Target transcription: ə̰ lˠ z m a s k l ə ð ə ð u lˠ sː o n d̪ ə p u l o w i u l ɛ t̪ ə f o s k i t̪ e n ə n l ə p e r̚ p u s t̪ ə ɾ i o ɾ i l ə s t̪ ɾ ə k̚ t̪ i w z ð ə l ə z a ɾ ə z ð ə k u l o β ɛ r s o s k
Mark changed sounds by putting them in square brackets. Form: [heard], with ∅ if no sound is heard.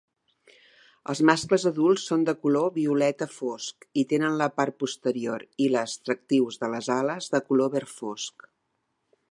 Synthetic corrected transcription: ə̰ lˠ z m a s k l ə [z] ə ð u lˠ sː o n d̪ ə [k] u l o [β] i u l ɛ t̪ ə f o s k i t̪ e n ə n l ə p [a] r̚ p u s t̪ ə ɾ i o ɾ i l ə s t̪ ɾ ə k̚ t̪ i w z ð ə l ə z a [l] ə z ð ə k u l o β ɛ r [f] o s k